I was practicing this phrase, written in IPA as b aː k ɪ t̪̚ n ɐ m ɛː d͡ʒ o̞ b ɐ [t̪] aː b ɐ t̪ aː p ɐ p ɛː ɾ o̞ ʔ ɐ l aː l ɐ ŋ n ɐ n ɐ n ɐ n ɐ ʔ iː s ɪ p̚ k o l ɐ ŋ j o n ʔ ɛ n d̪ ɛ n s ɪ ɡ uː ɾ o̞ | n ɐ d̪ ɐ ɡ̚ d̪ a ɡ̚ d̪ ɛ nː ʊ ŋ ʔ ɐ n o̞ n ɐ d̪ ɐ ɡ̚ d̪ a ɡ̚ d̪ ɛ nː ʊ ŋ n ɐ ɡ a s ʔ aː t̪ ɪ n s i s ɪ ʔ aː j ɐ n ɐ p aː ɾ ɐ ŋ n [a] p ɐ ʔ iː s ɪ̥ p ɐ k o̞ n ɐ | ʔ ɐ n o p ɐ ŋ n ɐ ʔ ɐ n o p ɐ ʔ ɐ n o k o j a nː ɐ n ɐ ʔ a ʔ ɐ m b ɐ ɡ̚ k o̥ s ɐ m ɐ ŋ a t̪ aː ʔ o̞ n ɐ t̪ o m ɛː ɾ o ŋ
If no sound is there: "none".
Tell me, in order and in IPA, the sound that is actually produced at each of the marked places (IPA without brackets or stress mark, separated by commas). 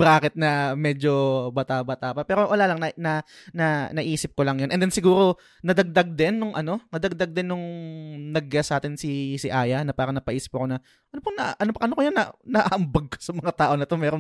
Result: t̪, ɐ